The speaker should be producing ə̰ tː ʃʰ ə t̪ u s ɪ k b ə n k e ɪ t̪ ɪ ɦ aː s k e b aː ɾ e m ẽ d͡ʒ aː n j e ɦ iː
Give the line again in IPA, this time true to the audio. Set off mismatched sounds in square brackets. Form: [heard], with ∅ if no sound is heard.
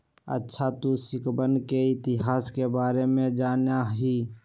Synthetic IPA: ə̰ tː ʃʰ [a] t̪ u s ɪ k b ə n k e ɪ t̪ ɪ ɦ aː s k e b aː ɾ e m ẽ d͡ʒ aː n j [a] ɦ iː